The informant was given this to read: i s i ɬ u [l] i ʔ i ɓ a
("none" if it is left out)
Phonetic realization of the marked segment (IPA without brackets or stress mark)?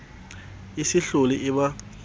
l